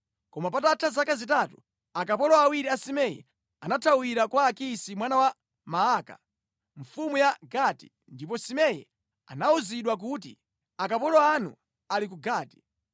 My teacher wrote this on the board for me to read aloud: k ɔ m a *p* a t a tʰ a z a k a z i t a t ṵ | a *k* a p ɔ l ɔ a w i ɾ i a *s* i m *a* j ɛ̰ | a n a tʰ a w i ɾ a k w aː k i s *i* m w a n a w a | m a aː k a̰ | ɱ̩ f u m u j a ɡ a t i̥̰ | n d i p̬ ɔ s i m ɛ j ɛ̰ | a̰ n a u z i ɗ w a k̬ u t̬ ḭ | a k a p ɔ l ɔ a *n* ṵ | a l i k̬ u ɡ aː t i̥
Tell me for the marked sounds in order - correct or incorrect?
correct, correct, correct, incorrect: ɛ, correct, correct

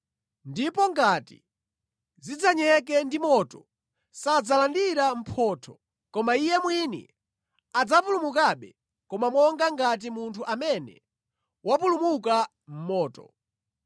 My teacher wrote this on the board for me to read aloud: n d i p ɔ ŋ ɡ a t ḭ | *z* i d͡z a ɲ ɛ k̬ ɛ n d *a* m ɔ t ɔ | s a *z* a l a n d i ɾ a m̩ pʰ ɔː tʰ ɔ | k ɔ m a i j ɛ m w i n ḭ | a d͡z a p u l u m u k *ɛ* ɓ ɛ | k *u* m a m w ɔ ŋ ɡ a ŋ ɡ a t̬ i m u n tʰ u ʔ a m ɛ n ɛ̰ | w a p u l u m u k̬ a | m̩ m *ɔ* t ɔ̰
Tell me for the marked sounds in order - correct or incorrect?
correct, incorrect: i, incorrect: d͡z, incorrect: a, incorrect: ɔ, incorrect: ɔː

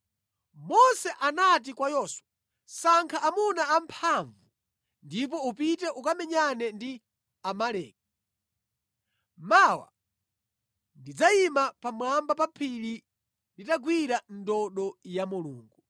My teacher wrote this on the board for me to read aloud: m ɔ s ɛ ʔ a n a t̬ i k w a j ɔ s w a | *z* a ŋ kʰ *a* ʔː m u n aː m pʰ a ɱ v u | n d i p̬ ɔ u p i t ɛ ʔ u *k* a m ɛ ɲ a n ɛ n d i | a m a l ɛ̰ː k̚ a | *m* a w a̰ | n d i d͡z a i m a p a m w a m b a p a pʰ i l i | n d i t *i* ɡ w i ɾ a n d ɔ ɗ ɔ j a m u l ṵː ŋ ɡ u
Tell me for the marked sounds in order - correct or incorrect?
incorrect: s, correct, correct, correct, incorrect: a

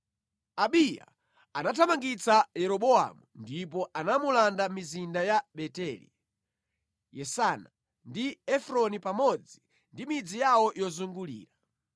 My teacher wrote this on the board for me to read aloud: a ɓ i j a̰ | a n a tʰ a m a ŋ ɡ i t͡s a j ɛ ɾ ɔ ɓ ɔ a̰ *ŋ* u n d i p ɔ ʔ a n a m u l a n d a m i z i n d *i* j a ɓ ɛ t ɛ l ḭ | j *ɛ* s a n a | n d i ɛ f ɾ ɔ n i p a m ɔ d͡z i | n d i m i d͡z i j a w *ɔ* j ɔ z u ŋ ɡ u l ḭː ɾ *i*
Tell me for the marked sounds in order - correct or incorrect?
incorrect: m, incorrect: a, correct, correct, incorrect: a

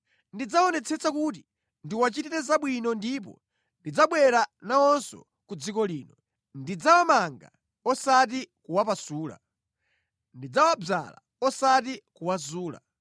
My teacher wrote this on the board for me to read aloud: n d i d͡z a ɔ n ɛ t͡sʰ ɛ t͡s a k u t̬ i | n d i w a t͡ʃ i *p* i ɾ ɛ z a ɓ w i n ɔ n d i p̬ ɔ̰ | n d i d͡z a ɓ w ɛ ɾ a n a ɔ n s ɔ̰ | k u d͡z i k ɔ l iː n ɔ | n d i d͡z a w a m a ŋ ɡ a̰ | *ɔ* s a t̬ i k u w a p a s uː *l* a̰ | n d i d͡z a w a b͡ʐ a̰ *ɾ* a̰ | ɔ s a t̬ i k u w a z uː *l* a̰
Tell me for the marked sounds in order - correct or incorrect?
incorrect: t, correct, correct, incorrect: l, correct

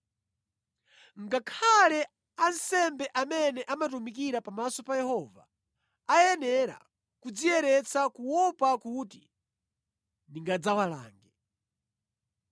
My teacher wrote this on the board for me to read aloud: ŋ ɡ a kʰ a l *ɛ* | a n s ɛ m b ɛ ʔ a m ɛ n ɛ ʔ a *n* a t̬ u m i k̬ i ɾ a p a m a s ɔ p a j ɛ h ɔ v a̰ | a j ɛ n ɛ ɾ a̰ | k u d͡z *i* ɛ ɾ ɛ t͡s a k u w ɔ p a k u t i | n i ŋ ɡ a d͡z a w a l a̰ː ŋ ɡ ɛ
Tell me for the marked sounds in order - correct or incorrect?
correct, incorrect: m, correct

